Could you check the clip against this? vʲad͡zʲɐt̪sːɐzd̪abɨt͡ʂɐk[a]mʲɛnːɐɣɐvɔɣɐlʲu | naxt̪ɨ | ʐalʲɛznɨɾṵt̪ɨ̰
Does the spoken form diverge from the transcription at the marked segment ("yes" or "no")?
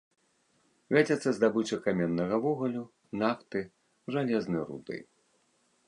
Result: no